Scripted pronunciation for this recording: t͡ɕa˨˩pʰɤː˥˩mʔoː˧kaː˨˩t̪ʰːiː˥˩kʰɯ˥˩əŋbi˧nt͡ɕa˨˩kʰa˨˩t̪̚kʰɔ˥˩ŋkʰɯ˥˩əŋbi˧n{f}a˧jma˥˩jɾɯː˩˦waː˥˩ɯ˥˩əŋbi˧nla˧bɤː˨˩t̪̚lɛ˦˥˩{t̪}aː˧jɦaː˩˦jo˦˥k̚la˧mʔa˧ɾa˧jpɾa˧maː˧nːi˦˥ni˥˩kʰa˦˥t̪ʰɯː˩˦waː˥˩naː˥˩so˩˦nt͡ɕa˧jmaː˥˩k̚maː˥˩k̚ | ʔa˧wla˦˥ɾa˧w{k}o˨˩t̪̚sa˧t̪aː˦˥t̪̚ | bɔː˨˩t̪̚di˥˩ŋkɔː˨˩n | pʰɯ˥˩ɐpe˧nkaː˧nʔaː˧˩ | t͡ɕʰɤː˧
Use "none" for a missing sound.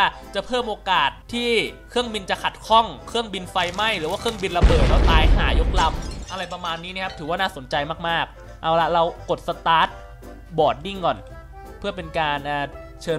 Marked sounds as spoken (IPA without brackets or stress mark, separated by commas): f, t̪, k